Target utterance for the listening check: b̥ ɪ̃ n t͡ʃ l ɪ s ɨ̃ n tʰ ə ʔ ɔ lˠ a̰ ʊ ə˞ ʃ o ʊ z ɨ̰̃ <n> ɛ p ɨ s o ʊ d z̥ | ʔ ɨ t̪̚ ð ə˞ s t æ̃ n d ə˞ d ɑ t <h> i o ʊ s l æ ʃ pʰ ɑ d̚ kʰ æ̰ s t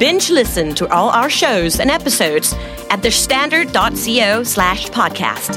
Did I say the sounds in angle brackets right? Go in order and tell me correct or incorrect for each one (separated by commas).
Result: correct, incorrect